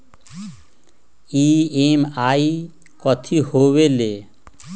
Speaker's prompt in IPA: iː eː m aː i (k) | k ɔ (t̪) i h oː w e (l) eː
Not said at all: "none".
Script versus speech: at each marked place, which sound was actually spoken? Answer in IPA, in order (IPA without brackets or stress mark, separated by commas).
none, t̪ʰ, l